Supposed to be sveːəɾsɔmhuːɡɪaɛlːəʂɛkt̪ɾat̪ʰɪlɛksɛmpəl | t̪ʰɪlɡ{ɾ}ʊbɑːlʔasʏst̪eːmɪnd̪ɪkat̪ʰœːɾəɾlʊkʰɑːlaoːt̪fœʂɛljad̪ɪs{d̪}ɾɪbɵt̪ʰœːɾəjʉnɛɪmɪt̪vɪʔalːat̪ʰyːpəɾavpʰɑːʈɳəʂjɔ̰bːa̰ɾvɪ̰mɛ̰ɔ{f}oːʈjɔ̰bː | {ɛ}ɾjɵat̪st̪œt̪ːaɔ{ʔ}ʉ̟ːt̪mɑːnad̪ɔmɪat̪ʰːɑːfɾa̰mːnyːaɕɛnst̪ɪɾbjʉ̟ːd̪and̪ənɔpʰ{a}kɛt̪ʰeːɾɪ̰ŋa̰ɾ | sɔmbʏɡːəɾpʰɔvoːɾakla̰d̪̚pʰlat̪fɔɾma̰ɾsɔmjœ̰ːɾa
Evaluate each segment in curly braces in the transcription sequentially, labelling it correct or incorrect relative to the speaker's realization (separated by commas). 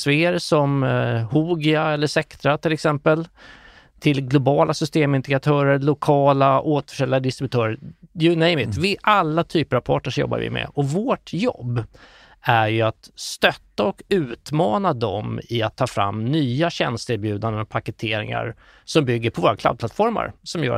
incorrect, incorrect, incorrect, incorrect, incorrect, correct